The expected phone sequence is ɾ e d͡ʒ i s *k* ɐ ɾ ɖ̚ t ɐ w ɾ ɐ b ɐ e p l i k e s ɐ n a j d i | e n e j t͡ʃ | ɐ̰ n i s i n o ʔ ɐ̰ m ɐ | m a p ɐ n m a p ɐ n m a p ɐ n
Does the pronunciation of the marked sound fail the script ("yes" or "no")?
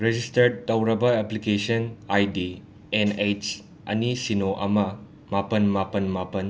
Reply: yes